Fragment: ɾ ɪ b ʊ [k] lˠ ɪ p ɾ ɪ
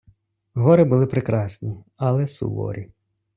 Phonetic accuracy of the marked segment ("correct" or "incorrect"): incorrect